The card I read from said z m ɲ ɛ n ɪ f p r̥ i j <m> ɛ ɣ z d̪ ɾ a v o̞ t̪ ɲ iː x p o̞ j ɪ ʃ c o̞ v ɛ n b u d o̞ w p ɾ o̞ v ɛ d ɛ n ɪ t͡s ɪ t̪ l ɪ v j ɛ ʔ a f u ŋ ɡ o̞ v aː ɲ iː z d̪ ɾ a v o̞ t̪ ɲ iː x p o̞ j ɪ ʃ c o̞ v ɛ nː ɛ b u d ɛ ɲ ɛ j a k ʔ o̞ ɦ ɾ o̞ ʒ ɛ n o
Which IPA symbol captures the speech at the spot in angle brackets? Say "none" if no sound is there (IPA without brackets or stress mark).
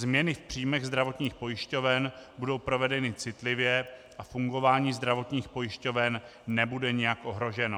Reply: m